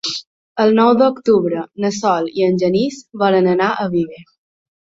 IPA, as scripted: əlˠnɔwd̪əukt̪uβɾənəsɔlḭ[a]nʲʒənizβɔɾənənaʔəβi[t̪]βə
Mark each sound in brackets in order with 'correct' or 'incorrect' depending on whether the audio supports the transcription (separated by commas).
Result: incorrect, incorrect